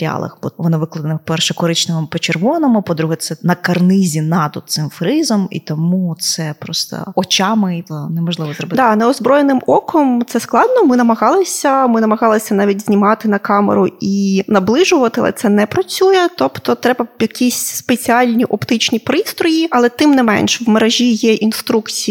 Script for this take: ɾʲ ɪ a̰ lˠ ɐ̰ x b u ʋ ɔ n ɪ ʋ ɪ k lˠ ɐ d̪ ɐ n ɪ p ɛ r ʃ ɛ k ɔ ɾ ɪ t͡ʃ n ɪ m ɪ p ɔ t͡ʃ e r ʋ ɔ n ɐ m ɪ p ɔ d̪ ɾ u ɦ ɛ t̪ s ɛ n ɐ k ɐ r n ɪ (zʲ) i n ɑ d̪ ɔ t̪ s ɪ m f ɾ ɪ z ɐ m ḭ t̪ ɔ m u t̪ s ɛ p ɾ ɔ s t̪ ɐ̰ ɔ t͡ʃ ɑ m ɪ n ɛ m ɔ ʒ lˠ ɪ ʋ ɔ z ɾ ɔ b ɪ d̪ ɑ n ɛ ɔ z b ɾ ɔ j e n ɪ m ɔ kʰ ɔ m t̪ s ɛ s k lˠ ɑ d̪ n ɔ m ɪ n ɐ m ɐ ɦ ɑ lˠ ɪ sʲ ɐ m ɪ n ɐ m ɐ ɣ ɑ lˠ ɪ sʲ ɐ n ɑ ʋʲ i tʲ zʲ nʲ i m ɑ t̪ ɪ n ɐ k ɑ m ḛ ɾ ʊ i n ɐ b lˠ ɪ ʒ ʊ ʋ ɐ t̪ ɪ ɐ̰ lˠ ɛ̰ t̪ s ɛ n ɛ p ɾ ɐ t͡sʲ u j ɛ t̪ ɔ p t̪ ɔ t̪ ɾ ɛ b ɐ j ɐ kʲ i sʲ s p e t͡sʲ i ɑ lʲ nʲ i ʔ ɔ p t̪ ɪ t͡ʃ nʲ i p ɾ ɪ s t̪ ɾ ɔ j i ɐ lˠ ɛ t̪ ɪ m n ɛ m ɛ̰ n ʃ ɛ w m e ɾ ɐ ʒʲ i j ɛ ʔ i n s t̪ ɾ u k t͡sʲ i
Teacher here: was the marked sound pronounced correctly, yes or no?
yes